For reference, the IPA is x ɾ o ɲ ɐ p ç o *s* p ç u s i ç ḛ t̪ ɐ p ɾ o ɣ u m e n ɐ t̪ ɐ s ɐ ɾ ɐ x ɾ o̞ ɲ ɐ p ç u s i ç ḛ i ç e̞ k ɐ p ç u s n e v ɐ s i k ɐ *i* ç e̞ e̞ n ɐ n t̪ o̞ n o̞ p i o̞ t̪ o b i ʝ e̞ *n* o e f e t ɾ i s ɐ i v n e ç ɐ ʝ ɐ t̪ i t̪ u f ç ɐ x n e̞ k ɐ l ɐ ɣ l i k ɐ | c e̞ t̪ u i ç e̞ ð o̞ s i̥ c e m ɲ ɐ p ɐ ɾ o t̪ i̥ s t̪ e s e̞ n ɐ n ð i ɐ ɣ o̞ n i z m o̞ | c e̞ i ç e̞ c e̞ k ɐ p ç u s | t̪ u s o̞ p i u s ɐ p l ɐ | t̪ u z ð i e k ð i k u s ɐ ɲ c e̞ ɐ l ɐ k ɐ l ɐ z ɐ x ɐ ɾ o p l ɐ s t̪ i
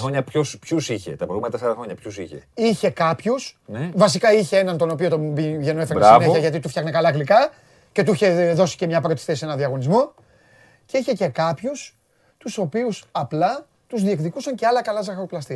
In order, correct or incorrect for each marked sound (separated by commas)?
correct, correct, correct